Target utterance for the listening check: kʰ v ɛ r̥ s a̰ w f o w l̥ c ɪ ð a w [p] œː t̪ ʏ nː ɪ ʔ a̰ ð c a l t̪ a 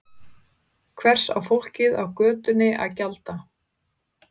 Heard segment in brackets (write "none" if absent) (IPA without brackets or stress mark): k